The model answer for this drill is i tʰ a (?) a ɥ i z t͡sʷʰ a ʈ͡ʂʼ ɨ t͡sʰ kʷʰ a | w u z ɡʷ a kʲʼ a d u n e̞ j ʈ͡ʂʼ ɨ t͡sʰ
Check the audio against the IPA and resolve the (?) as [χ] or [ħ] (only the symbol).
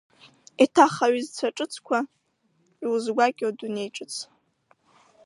χ